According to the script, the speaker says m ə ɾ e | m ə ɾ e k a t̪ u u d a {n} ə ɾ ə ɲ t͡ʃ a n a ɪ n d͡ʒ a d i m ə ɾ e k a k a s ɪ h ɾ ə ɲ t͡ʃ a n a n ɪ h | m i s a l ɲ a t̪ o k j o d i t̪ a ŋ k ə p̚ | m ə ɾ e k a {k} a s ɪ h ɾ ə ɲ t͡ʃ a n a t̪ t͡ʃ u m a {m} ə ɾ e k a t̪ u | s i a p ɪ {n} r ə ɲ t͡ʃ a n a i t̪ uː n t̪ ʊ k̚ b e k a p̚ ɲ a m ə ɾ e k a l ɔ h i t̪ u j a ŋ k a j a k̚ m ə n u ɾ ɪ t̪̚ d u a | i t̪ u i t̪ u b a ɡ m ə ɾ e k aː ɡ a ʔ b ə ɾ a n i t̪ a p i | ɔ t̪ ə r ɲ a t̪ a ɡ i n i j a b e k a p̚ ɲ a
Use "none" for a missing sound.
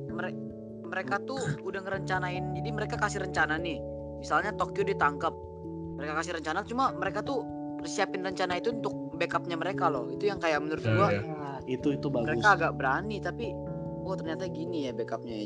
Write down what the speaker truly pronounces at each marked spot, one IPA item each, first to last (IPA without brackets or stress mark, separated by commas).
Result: ŋ, k, m, n